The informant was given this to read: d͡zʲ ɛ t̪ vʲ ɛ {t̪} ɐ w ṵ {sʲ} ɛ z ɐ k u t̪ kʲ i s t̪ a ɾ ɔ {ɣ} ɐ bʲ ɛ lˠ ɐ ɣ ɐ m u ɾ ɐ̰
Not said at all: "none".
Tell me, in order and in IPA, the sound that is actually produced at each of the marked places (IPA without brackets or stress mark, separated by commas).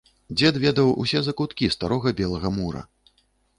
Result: d̪, sʲ, ɣ